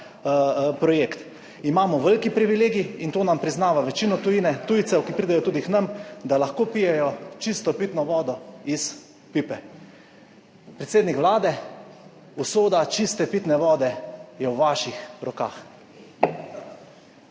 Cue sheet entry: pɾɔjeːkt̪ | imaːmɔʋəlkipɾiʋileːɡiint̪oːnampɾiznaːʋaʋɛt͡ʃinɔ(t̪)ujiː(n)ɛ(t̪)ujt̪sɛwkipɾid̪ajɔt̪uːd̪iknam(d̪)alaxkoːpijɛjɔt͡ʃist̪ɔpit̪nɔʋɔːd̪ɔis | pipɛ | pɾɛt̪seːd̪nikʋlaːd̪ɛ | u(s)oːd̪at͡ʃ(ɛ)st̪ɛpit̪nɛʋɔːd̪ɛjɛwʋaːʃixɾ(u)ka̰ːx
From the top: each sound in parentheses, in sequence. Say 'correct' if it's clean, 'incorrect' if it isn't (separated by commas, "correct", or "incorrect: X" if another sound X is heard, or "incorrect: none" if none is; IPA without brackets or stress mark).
correct, correct, correct, correct, correct, incorrect: i, incorrect: ɔ